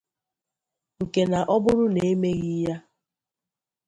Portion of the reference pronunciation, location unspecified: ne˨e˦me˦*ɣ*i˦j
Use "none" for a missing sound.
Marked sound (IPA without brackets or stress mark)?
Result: ɣ